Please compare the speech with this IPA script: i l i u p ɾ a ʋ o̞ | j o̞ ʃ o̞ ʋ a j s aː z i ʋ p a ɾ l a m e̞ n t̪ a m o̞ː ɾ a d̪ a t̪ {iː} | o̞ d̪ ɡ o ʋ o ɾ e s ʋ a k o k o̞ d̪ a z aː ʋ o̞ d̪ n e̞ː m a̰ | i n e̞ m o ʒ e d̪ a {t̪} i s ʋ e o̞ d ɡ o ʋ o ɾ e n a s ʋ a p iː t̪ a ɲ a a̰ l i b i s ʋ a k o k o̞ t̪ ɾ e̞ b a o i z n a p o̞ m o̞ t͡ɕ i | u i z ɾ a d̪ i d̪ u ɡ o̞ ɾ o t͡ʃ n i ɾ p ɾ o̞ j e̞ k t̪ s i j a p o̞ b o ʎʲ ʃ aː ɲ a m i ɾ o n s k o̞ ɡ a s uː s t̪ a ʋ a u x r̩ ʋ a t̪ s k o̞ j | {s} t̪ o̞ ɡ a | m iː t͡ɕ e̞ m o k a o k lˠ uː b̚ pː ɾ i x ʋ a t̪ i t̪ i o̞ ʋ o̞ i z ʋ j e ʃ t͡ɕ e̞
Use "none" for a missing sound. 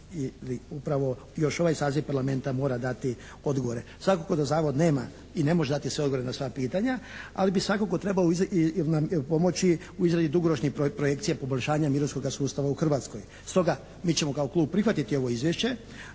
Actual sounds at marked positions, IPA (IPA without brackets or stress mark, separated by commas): i, t̪, s